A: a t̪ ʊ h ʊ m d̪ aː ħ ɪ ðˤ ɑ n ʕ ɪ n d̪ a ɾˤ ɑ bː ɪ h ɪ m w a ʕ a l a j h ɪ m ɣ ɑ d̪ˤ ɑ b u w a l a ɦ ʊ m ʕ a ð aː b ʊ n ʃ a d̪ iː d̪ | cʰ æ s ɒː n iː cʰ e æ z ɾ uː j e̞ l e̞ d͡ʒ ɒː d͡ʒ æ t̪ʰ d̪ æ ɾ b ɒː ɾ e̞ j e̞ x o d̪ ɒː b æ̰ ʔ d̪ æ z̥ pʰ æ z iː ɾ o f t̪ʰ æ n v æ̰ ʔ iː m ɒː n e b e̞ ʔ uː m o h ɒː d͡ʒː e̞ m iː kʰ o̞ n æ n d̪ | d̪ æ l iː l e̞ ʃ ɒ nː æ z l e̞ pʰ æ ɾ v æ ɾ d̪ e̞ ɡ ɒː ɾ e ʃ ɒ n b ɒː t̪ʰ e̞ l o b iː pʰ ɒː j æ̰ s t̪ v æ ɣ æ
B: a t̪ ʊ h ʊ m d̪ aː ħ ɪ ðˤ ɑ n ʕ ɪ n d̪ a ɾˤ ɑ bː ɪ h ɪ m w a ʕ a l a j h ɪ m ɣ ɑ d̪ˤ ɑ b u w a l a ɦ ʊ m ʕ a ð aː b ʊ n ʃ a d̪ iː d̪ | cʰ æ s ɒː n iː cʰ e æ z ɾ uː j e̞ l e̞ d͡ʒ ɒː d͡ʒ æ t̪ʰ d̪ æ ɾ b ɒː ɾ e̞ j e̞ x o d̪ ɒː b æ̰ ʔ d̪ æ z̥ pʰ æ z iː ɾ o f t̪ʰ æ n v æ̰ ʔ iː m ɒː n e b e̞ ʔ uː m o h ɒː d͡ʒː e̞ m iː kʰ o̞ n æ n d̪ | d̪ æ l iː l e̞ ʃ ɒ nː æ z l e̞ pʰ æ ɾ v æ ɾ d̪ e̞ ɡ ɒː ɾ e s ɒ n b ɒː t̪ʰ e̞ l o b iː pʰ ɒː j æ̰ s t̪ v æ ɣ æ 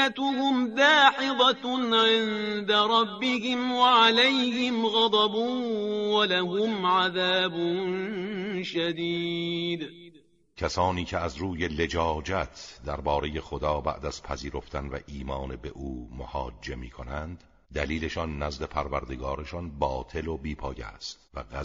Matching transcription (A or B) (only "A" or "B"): A